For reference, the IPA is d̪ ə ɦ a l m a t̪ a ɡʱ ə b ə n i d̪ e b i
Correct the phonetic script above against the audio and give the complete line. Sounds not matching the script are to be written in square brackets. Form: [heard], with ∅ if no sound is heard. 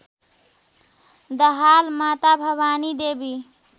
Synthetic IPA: d̪ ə ɦ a l m a t̪ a [bʱ] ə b [a] n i d̪ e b i